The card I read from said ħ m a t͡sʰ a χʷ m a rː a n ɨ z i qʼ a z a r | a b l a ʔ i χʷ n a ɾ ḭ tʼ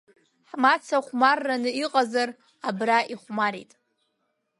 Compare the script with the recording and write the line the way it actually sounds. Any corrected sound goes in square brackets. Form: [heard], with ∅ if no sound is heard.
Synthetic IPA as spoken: ħ m a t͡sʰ a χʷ m a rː a n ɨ [∅] i qʼ a z a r | a b [r] a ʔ i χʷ [m] a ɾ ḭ tʼ